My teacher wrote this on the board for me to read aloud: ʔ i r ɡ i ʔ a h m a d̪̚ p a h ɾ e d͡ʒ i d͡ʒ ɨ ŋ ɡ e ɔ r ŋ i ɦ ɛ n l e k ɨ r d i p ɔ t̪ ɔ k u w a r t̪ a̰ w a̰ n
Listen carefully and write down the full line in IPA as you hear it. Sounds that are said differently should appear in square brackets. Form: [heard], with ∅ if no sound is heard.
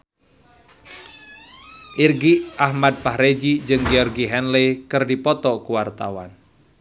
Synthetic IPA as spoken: ʔ i r ɡ i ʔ a h m a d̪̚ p a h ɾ e d͡ʒ i d͡ʒ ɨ ŋ ɡ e ɔ r [ɡ] i ɦ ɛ n l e k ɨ r d i p ɔ t̪ ɔ k u w a r t̪ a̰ w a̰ n